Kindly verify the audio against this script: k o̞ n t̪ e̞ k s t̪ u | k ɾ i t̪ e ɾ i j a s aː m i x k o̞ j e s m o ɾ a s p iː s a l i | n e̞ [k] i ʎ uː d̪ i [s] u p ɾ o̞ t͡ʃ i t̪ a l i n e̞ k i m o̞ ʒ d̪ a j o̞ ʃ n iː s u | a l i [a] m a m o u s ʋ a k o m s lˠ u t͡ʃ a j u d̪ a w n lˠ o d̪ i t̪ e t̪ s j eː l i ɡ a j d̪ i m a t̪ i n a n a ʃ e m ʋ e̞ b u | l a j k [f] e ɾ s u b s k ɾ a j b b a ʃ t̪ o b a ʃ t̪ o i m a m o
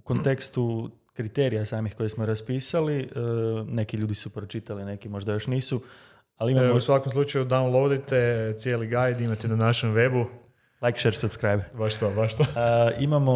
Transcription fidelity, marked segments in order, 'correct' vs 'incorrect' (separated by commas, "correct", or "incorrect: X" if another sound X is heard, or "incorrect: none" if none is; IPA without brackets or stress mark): correct, correct, incorrect: i, incorrect: ʃ